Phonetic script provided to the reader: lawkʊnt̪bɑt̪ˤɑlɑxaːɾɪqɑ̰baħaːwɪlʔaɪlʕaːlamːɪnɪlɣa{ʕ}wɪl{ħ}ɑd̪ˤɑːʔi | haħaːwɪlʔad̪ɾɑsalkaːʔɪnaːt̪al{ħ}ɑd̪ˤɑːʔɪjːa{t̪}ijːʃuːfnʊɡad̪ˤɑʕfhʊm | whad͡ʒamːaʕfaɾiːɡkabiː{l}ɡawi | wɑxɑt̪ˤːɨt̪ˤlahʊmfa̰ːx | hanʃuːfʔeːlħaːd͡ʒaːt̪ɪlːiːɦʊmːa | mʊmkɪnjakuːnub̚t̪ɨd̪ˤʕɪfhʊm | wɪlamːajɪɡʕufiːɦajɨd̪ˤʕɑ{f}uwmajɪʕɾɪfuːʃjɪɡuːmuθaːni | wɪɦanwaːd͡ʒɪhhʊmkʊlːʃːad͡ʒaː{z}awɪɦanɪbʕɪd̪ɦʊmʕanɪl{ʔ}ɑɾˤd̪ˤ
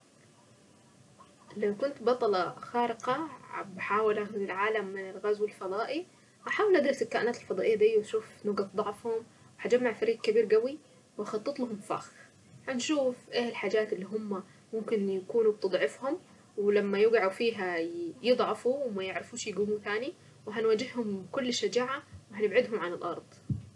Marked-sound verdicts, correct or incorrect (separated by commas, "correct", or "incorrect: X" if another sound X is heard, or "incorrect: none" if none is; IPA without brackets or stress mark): incorrect: z, incorrect: f, incorrect: f, incorrect: d̪, incorrect: ɾ, correct, incorrect: ʕ, correct